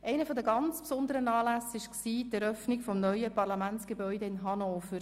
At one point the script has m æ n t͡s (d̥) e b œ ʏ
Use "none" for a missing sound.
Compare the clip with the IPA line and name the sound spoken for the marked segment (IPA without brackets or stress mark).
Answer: ɡ̥